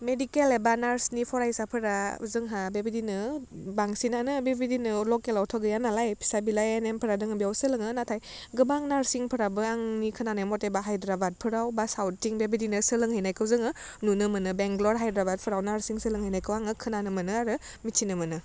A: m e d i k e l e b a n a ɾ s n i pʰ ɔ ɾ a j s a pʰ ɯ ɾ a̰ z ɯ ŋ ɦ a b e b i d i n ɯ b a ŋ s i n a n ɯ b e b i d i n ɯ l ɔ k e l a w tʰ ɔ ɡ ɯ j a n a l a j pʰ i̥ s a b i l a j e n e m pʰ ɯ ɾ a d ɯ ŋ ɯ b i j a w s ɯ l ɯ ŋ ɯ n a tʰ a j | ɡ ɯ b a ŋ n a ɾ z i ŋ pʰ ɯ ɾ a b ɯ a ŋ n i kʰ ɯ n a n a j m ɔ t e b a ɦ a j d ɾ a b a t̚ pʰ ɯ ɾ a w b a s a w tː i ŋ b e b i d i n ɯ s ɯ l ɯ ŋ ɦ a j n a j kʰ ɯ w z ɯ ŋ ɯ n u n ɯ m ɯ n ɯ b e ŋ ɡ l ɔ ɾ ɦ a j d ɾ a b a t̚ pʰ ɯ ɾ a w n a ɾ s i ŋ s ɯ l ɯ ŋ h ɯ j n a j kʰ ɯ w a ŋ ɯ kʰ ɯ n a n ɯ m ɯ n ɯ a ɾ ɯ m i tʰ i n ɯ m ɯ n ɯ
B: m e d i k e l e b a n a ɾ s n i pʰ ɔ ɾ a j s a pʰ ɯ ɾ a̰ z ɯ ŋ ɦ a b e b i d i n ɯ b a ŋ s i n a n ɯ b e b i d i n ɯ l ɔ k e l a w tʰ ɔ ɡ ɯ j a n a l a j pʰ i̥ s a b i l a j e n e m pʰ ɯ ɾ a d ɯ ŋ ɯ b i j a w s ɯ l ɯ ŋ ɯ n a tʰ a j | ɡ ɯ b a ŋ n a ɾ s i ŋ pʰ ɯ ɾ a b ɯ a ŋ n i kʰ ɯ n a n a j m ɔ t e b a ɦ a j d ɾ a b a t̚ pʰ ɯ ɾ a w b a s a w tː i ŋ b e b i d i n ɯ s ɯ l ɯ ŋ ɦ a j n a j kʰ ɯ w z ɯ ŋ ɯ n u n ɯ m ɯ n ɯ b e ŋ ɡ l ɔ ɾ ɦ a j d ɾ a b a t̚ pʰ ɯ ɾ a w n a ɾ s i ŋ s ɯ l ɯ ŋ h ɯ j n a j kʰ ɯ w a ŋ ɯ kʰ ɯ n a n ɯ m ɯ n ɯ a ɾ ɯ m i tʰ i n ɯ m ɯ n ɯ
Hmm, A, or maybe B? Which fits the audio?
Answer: B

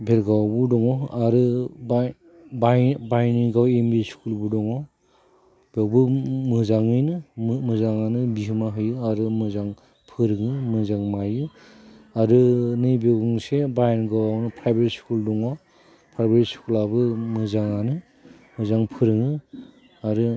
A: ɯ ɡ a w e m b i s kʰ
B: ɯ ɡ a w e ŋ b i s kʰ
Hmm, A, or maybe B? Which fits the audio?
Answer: A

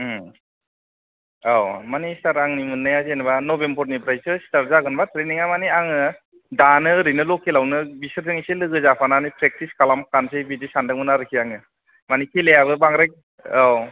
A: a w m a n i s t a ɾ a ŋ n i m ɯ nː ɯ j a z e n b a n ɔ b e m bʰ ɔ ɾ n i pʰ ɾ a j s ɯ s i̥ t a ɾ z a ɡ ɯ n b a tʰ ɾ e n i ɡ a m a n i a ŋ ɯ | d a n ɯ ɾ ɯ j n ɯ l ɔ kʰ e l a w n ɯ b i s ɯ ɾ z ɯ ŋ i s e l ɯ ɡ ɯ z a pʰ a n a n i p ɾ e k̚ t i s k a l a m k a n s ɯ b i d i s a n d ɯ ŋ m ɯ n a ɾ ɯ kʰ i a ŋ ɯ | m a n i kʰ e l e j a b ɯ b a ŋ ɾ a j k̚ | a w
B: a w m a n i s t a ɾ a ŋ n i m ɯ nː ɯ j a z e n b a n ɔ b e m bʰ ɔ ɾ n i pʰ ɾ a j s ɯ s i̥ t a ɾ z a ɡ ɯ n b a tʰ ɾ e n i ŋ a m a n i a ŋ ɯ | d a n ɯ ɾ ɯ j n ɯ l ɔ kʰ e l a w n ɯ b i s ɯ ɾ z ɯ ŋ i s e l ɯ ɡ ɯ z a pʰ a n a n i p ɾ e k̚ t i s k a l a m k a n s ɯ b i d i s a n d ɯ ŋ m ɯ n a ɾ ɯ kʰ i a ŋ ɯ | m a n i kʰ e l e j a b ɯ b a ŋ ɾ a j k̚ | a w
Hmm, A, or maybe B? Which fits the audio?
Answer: B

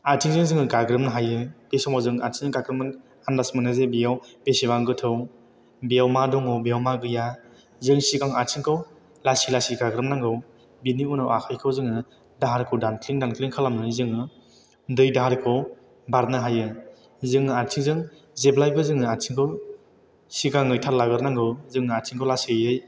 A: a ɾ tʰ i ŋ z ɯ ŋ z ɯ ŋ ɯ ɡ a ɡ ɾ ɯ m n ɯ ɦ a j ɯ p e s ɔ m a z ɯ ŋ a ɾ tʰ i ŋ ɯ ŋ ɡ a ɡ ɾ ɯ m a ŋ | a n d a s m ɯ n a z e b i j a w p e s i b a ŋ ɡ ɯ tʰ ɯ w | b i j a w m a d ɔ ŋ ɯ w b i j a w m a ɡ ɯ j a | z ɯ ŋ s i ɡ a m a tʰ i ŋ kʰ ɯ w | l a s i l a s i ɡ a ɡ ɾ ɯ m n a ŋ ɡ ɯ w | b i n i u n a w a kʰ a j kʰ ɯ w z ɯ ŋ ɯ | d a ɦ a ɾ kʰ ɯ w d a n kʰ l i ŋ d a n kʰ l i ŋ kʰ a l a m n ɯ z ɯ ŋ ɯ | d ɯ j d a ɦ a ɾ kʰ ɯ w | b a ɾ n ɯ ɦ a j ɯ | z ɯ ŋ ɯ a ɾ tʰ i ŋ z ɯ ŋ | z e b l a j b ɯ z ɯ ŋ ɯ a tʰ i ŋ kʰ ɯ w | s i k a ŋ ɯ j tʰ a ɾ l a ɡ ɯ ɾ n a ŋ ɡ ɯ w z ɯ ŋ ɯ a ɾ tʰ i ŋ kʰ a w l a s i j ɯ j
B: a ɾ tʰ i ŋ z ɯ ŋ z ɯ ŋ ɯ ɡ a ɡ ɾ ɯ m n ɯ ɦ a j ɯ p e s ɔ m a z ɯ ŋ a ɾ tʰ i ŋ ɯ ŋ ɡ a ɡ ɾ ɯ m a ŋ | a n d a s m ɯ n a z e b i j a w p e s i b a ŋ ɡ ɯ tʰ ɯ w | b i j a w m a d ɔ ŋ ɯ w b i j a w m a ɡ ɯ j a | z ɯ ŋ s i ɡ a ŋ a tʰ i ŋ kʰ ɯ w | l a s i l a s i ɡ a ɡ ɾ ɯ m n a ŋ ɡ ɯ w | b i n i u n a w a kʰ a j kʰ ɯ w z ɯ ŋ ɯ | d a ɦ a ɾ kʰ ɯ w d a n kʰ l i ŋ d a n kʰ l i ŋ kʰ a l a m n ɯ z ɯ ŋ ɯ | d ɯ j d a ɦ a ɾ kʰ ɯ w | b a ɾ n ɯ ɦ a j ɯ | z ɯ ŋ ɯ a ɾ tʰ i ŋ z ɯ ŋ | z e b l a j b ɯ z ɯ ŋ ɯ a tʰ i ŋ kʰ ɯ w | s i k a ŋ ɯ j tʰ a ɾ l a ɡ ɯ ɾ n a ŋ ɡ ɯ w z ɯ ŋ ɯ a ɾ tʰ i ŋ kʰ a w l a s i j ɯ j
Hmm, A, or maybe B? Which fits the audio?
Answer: B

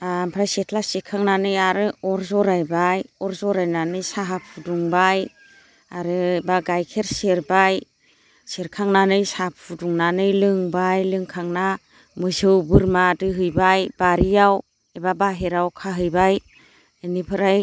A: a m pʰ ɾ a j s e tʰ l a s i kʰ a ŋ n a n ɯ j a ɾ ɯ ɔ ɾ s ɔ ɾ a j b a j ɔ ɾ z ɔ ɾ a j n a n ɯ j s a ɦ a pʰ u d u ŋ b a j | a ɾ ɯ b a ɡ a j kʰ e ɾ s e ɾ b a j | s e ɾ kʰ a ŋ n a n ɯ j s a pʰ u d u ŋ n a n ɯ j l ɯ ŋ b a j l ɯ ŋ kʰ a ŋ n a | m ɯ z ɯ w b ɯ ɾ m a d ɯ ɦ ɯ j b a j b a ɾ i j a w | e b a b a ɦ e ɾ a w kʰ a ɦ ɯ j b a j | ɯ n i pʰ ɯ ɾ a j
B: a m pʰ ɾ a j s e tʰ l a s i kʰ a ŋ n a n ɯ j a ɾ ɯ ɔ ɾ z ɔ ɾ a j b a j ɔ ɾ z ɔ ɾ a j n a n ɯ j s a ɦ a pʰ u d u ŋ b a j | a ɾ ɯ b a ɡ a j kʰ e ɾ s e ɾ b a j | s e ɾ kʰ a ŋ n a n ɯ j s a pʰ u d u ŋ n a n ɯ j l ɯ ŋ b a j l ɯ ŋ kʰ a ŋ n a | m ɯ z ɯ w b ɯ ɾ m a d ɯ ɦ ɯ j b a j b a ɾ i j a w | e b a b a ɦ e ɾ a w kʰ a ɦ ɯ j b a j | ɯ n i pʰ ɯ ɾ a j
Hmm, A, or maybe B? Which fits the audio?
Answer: B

